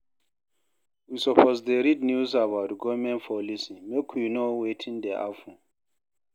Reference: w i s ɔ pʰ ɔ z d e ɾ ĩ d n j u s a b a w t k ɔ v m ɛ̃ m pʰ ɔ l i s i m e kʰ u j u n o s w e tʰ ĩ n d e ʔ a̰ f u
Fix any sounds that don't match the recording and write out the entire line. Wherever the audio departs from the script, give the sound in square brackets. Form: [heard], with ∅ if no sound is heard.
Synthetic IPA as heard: w i s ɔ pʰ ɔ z d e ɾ [i] d n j u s a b a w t [ɡ] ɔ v m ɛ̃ [n] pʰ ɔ l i s i m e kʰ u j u n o [∅] w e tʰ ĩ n d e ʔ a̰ f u